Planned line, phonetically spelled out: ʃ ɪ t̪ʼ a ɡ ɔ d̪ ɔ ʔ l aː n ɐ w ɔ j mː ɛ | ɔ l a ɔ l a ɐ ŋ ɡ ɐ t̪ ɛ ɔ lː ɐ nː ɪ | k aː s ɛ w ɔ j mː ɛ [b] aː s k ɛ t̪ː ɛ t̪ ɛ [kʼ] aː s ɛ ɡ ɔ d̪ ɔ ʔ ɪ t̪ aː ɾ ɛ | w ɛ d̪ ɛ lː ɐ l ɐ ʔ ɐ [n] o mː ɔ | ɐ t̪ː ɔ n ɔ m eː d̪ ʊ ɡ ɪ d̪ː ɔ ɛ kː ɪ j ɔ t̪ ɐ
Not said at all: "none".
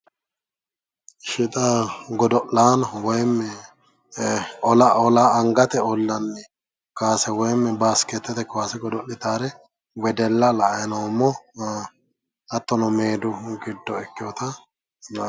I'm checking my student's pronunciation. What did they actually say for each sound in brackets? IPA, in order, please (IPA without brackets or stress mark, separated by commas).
b, k, n